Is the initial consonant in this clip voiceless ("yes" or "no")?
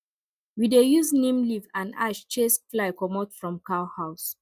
no